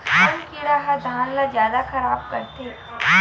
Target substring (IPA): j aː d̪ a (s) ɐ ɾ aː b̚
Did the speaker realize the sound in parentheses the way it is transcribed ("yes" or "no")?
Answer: no